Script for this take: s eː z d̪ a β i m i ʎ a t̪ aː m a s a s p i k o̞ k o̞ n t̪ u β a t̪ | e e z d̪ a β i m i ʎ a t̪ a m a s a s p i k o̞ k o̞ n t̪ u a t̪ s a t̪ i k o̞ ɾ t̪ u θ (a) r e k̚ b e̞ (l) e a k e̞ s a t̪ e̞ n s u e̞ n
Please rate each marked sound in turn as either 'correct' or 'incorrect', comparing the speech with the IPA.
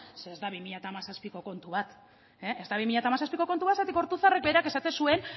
correct, incorrect

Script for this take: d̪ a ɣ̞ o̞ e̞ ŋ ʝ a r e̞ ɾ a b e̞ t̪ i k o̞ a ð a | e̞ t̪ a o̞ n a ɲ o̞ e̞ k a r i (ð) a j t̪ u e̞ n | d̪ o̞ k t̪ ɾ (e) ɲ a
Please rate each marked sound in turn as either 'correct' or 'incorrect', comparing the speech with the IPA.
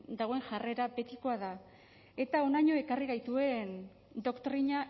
incorrect, incorrect

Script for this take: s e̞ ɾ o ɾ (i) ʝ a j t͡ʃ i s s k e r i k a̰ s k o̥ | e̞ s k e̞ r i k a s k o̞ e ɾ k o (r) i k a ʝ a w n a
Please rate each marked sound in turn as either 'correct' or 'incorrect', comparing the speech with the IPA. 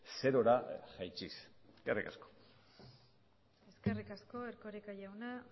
incorrect, incorrect

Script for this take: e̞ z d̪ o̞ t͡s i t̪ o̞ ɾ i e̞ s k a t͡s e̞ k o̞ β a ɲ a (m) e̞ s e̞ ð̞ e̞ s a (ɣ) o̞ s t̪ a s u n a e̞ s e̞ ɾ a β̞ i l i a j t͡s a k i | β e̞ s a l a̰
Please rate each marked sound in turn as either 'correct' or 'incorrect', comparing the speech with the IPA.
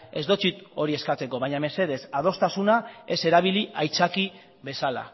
correct, incorrect

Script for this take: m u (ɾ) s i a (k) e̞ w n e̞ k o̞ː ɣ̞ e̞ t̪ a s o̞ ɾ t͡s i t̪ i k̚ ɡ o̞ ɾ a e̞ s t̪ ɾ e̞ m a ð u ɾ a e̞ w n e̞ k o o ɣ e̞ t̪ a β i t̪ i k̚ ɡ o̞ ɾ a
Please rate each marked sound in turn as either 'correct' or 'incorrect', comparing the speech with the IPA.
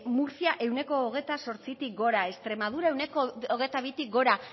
correct, incorrect

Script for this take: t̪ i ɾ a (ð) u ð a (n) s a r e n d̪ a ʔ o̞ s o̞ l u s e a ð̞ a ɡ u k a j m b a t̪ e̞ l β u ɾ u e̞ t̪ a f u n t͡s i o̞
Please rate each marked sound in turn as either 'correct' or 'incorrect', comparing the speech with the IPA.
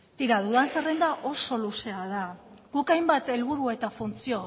correct, correct

